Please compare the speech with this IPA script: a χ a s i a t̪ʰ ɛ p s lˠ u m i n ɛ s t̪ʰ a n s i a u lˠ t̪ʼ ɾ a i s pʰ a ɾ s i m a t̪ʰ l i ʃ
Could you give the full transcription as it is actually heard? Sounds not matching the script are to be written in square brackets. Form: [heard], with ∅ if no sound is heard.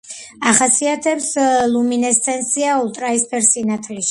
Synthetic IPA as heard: a χ a s i a t̪ʰ ɛ p s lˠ u m i n ɛ s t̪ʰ [ɛ] n s i a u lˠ t̪ʼ ɾ a i s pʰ [ɛ] ɾ s i [n] a t̪ʰ l i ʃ